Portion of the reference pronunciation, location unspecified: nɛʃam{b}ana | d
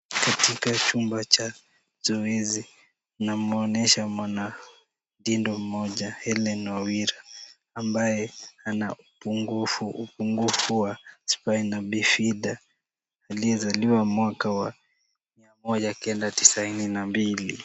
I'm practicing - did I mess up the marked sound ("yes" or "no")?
yes